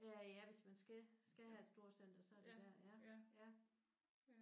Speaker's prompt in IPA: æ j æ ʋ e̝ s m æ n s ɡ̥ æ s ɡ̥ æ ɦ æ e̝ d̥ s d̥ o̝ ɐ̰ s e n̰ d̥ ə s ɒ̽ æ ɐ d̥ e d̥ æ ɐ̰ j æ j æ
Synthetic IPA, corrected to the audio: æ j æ ʋ e̝ s m æ n s ɡ̥ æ s ɡ̥ æ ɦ æ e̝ d̥ s d̥ o̝ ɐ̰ s e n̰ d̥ ɐ s ɒ̽ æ ɐ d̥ e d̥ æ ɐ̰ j æ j æ